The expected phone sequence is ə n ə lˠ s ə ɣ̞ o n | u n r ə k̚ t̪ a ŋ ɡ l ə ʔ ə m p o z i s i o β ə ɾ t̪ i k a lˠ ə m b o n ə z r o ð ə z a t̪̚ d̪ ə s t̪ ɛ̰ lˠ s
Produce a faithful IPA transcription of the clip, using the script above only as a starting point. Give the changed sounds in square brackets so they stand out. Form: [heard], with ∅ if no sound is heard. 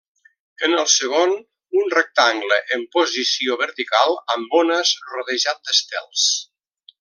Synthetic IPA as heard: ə n ə lˠ s ə ɣ̞ o n | u n r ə k̚ t̪ a ŋ ɡ l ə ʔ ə m p o z i s i o β ə ɾ t̪ i k a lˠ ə m b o n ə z r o ð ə [ʒ] a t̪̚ d̪ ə s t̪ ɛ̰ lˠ s